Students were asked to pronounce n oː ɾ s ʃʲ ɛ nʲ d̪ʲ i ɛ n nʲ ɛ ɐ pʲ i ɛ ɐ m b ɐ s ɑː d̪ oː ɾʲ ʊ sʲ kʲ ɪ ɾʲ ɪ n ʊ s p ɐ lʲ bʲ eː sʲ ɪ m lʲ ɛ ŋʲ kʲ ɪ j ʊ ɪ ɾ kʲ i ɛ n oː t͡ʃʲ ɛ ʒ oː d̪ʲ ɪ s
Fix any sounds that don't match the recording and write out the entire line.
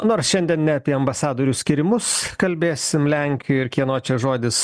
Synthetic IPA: n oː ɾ s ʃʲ ɛ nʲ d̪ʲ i ɛ n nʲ ɛ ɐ pʲ i ɛ ɐ m b ɐ s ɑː d̪ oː ɾʲ ʊ sʲ kʲ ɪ ɾʲ ɪ m ʊ s k ɐ lʲ bʲ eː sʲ ɪ m lʲ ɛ ŋʲ kʲ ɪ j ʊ ɪ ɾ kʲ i ɛ n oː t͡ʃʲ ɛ ʒ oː d̪ʲ ɪ s

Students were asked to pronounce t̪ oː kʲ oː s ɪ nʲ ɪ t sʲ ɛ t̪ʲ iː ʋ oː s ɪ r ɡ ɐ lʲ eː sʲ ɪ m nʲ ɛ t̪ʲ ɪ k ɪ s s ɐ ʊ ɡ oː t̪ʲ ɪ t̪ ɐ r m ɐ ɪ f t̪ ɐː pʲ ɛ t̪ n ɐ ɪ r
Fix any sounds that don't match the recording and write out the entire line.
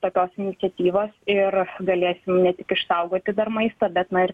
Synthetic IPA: t̪ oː kʲ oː s ɪ nʲ ɪ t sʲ ɛ t̪ʲ iː ʋ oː s ɪ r ɡ ɐ lʲ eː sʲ ɪ m nʲ ɛ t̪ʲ ɪ k ɪ ʃ s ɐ ʊ ɡ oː t̪ʲ ɪ d̪ ɐ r m ɐ ɪ s t̪ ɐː bʲ ɛ t̪ n ɐ ɪ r

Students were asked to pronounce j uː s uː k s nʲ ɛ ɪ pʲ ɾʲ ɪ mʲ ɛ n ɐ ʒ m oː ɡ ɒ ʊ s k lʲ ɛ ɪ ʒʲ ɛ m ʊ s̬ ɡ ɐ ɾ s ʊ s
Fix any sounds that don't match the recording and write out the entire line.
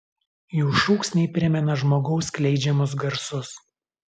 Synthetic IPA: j uː ʃ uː k s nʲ ɛ ɪ pʲ ɾʲ ɪ mʲ ɛ n ɐ ʒ m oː ɡ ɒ ʊ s k lʲ ɛ ɪ d͡ʒʲ ɛ m ʊ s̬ ɡ ɐ ɾ s ʊ s

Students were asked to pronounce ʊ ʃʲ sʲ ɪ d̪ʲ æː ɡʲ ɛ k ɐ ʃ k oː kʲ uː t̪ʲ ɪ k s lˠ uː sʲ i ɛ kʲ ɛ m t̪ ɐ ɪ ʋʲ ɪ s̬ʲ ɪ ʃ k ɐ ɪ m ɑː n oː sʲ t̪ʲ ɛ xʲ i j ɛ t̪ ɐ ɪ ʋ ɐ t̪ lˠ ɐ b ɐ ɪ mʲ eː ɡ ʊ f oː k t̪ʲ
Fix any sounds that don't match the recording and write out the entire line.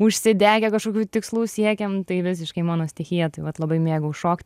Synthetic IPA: ʊ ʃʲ sʲ ɪ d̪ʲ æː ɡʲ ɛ k ɐ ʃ k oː kʲ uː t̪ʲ ɪ k s lˠ uː sʲ i ɛ kʲ ɛ m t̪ ɐ ɪ ʋʲ ɪ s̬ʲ ɪ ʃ k ɐ ɪ m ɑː n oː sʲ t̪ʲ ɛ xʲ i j ɛ t̪ ɐ ɪ ʋ ɐ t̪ lˠ ɐ b ɐ ɪ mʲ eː ɡ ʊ ʃ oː k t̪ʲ

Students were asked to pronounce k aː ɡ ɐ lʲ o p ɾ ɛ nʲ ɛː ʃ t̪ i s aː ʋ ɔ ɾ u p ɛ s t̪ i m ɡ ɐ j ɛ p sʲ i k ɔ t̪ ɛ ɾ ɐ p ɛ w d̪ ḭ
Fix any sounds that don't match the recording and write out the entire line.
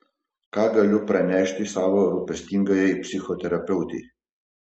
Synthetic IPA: k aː ɡ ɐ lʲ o p ɾ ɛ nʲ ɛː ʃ t̪ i s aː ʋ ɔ ɾ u p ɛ s t̪ i ŋ ɡ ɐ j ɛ p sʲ i x ɔ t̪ ɛ ɾ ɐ p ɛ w t̪ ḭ

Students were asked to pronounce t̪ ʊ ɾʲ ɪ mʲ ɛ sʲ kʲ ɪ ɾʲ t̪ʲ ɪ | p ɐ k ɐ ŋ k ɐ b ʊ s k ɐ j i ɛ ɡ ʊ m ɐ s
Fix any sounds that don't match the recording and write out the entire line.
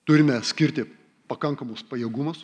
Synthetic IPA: t̪ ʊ ɾʲ ɪ mʲ ɛ sʲ kʲ ɪ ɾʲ t̪ʲ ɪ | p ɐ k ɐ ŋ k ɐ m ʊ s p ɐ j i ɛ ɡ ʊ m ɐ s

